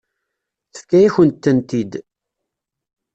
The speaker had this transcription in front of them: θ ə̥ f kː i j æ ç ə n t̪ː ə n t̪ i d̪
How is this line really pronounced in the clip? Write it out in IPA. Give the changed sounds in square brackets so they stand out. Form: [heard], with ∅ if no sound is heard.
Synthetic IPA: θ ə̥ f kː [æ] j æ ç ə n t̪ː ə n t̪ i d̪